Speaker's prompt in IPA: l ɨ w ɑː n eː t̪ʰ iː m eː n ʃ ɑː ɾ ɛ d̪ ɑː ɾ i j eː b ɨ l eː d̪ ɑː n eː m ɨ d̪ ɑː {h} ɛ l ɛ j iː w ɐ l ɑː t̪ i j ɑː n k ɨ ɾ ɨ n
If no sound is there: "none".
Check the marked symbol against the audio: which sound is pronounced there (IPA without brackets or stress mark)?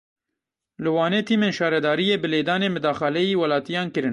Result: x